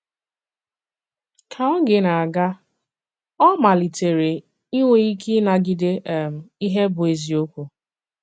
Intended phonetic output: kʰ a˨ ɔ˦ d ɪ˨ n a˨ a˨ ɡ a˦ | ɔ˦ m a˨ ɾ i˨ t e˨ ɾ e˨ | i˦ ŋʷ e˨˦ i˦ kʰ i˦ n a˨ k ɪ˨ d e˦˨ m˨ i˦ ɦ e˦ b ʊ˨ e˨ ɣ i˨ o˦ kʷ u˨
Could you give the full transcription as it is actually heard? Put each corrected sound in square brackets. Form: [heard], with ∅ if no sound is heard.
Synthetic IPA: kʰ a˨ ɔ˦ [ɡ] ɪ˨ n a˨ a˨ ɡ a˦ | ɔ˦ m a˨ [l] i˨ t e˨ ɾ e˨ | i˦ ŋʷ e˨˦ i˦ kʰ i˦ n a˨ [ɡ] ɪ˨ d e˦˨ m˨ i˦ ɦ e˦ b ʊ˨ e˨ [z] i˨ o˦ kʷ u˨